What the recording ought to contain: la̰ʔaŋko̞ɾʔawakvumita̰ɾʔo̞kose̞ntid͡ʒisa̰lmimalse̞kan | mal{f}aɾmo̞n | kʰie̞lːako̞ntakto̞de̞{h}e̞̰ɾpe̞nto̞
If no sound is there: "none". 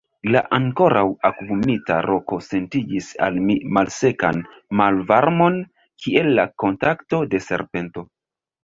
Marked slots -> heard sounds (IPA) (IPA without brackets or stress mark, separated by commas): v, s